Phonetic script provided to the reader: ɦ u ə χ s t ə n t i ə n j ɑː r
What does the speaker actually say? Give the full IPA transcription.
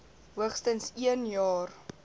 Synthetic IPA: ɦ u ə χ s t ə n s i ə n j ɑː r